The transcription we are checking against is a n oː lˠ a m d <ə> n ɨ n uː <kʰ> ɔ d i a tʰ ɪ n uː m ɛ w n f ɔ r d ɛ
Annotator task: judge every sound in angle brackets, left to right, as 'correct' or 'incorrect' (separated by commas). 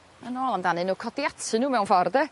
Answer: incorrect, correct